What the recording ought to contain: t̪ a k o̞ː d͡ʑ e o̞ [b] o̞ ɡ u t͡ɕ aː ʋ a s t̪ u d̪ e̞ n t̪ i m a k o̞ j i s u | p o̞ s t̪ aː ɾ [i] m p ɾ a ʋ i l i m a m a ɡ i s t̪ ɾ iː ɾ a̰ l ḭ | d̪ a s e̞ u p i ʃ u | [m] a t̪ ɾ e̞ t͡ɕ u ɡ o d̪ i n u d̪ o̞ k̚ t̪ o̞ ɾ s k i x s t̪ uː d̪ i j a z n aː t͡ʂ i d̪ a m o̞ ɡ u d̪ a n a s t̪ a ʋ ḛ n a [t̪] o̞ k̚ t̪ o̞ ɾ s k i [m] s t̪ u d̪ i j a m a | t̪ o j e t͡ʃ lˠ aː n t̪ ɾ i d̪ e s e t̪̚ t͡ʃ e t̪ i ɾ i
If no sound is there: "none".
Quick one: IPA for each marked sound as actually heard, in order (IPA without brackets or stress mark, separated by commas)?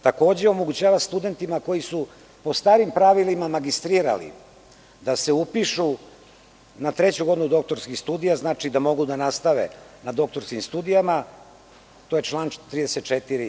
m, i, n, d̪, m